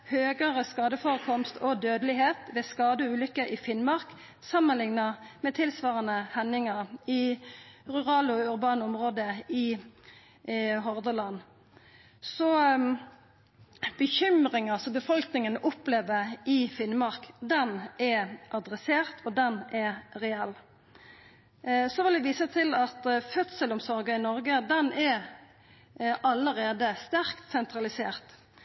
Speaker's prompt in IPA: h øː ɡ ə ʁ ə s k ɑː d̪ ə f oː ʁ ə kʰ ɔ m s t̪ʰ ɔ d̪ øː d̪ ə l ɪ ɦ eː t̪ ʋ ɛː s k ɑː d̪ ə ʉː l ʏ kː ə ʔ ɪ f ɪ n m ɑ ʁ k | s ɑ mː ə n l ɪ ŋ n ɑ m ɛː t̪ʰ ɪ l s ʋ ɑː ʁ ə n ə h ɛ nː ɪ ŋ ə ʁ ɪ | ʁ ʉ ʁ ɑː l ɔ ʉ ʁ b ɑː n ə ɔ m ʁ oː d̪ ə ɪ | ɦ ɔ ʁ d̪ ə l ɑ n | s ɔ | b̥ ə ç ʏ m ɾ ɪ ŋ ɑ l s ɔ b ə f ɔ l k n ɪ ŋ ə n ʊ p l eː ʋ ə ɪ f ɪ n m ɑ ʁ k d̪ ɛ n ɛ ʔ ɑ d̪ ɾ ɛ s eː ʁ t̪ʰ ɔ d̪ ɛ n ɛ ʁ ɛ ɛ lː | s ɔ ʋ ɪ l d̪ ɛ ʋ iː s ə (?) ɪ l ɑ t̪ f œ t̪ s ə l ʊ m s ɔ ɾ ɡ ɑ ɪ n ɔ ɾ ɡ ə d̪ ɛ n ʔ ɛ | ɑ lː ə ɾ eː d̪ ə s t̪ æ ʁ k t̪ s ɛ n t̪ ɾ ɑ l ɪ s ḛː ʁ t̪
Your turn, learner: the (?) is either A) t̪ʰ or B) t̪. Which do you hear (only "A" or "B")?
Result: A